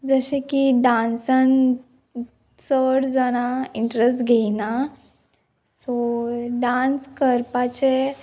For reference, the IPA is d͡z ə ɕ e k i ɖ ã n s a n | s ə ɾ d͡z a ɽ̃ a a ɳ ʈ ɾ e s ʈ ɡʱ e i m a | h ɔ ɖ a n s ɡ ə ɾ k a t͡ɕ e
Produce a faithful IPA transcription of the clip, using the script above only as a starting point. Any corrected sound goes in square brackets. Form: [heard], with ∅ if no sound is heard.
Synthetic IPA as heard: d͡z ə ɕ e k i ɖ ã n s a n | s ə [ɽ] d͡z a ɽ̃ a [i] ɳ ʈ ɾ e s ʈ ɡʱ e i [n] a | [s] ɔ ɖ a n s [k] ə ɾ [p] a t͡ɕ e